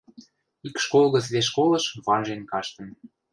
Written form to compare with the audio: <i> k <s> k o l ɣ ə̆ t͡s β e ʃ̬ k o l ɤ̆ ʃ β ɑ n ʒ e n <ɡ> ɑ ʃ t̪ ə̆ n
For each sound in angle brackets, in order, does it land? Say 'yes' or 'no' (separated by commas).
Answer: yes, no, no